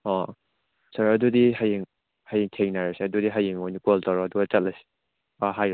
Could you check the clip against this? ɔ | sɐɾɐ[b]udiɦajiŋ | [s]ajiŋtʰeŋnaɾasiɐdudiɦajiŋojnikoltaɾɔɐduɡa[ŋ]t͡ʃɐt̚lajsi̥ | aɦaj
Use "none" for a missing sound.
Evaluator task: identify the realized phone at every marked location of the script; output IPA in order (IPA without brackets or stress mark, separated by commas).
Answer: d, h, none